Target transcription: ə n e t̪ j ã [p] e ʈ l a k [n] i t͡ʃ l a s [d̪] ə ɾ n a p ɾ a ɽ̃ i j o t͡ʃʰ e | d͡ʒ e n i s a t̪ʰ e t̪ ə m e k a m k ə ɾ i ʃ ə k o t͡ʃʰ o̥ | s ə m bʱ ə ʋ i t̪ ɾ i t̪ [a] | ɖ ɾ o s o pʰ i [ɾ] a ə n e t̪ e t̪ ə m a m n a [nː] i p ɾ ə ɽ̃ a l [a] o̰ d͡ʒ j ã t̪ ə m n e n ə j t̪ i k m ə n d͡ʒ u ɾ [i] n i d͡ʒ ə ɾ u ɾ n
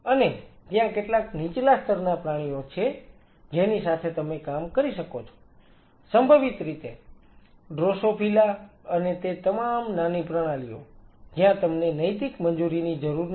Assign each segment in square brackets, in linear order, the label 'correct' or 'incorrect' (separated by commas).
incorrect, correct, incorrect, incorrect, incorrect, incorrect, incorrect, correct